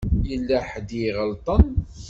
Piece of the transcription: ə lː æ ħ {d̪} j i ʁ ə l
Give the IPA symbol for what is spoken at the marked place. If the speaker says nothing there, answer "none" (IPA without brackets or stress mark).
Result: d̪